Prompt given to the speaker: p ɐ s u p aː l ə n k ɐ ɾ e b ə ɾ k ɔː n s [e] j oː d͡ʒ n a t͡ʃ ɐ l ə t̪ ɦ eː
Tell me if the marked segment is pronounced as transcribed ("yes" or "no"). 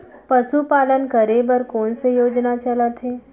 yes